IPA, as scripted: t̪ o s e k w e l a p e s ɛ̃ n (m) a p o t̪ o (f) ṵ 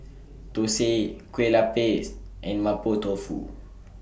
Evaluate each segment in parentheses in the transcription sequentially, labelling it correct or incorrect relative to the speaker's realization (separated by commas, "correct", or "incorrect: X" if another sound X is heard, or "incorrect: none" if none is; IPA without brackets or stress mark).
correct, correct